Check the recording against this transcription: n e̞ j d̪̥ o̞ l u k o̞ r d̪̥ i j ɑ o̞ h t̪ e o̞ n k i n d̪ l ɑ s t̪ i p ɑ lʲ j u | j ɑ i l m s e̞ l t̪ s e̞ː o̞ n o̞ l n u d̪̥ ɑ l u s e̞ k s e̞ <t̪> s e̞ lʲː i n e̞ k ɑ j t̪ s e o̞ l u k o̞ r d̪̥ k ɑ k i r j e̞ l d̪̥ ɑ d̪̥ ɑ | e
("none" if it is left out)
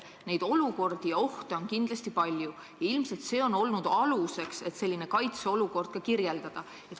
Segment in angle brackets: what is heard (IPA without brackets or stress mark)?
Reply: t̪